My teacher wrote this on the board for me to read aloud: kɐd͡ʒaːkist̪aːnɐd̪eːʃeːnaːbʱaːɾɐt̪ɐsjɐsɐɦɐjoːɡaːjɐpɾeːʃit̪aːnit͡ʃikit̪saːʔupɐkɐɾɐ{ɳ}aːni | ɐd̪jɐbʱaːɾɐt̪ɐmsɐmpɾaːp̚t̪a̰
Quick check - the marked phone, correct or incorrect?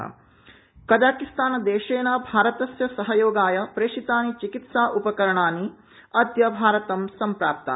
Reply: correct